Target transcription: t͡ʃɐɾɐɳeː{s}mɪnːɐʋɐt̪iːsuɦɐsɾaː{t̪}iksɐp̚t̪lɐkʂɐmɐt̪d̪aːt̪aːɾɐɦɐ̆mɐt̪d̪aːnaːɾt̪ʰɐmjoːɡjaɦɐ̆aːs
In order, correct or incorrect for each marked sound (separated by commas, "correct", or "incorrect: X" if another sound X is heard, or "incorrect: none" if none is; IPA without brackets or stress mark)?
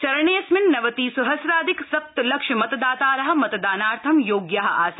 correct, incorrect: d̪